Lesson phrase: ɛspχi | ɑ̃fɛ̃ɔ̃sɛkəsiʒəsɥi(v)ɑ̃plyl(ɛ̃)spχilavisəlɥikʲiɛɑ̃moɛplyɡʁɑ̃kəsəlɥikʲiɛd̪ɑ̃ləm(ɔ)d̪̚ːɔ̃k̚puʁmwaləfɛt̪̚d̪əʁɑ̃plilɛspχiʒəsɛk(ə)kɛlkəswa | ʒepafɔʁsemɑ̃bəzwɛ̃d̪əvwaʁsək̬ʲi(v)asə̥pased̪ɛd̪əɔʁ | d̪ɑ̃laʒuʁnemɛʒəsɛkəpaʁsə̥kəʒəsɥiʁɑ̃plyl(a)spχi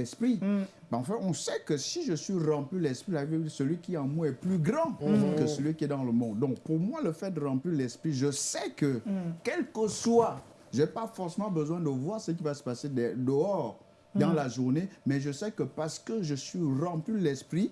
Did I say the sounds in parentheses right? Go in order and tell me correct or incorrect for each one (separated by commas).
incorrect, incorrect, incorrect, correct, correct, incorrect